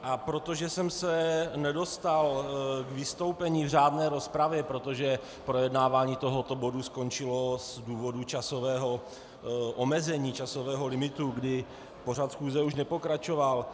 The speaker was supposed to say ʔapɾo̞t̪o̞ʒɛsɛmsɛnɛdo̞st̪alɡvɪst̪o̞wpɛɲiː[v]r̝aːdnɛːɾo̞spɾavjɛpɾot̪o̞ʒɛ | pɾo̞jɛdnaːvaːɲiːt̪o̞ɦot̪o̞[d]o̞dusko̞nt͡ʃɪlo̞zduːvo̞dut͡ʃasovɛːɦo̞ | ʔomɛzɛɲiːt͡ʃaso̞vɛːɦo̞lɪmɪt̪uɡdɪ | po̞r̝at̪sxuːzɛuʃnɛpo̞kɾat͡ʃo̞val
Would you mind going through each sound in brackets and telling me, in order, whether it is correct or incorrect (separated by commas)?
correct, incorrect